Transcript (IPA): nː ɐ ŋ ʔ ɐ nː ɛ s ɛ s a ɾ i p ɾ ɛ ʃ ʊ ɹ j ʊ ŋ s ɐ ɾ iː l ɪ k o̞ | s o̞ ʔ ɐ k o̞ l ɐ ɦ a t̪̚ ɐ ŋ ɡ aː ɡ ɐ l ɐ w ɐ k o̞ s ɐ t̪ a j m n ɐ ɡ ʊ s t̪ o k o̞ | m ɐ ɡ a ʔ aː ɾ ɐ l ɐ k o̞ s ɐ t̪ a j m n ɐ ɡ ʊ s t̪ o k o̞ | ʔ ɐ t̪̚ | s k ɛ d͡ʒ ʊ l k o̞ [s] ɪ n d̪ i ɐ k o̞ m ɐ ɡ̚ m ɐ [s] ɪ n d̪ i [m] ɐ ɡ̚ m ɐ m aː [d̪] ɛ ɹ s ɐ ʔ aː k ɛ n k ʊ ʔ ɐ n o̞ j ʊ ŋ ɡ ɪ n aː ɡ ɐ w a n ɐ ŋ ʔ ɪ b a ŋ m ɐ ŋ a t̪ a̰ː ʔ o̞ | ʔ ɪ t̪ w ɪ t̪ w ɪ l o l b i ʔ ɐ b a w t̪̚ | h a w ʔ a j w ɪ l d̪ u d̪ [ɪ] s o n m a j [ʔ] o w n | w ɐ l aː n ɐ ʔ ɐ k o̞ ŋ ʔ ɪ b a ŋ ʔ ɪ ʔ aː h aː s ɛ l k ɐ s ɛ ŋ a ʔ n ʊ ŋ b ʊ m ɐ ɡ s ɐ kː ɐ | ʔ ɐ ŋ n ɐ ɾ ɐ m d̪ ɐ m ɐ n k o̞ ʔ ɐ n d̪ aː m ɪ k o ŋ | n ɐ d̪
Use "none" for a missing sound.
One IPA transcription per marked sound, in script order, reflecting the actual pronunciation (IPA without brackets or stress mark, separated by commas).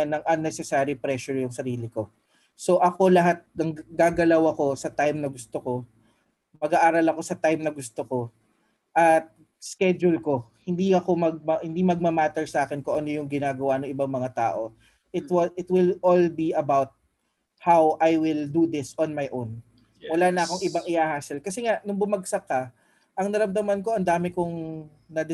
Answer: h, h, m, t̪, ɪ, ʔ